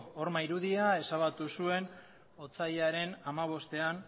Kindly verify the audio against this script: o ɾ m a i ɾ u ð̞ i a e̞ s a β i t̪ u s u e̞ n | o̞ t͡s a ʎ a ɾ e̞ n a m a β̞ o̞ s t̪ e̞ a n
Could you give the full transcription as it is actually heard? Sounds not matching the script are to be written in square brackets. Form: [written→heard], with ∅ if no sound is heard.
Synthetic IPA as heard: o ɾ m a i ɾ u ð̞ i a e̞ s a β [i→a] t̪ u s u e̞ n | o̞ t͡s a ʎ a ɾ e̞ n a m a β̞ o̞ s t̪ e̞ a n

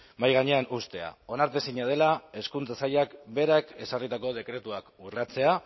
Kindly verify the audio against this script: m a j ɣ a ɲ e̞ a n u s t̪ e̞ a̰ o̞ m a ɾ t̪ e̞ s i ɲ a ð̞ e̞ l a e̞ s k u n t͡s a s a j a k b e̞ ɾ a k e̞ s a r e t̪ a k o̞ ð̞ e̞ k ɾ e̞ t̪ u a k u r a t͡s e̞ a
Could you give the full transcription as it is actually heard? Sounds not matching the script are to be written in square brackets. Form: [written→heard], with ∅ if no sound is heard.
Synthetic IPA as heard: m a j ɣ a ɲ e̞ a n u s t̪ e̞ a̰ o̞ [m→n] a ɾ t̪ e̞ s i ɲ a ð̞ e̞ l a e̞ s k u n t͡s a s a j a k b e̞ ɾ a k e̞ s a r [e→i] t̪ a k o̞ ð̞ e̞ k ɾ e̞ t̪ u a k u r a t͡s e̞ a

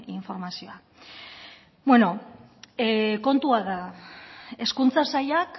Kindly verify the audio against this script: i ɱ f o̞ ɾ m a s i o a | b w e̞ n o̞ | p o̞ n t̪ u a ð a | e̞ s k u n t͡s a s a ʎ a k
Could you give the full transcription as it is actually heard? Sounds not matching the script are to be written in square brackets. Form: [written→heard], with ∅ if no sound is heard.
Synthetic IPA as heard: i ɱ f o̞ ɾ m a s i o a | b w e̞ n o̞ | [p→k] o̞ n t̪ u a ð a | e̞ s k u n t͡s a s a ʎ a k

